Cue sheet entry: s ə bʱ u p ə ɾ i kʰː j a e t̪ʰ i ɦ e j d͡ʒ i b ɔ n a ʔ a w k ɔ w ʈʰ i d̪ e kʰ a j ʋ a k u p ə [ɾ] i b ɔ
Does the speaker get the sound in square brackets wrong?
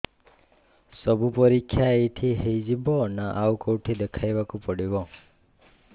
yes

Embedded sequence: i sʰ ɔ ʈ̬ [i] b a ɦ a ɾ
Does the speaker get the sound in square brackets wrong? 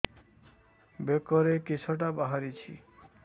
yes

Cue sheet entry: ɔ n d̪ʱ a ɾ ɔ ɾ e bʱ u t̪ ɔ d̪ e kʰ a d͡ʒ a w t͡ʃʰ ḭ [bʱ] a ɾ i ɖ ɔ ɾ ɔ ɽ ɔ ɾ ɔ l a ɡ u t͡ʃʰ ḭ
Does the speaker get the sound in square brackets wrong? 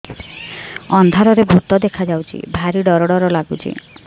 no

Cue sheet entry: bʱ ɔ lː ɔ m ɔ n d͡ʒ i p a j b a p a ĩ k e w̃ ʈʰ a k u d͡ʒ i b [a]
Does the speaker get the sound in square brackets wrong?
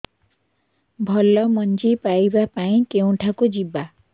no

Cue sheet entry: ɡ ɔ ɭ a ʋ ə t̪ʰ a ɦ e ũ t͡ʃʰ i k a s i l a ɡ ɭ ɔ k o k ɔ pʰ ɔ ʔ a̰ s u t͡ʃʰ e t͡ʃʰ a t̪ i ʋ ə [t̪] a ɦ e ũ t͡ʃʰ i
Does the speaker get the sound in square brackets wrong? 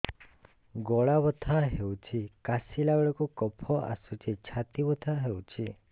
yes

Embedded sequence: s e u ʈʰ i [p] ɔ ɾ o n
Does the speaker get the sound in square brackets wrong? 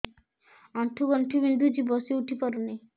no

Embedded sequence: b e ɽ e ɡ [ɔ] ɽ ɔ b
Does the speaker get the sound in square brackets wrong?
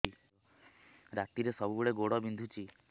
yes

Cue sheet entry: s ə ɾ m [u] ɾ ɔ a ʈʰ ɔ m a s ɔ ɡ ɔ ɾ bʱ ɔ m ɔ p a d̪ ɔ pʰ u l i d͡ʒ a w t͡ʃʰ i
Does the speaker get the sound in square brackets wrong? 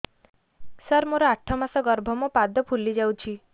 yes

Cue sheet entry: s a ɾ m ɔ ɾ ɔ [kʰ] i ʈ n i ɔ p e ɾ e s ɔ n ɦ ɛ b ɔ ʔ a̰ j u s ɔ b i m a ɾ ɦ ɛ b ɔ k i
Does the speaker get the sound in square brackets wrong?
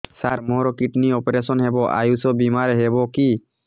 yes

